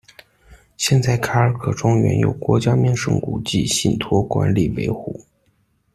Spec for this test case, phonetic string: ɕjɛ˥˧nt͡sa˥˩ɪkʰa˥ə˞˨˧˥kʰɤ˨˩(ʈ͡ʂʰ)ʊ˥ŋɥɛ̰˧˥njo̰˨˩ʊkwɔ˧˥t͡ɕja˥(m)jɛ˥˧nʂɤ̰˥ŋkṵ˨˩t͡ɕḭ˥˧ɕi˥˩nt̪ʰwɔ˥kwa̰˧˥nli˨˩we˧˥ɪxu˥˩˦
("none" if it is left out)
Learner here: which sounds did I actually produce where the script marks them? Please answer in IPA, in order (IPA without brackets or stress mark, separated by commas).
ʈ͡ʂ, m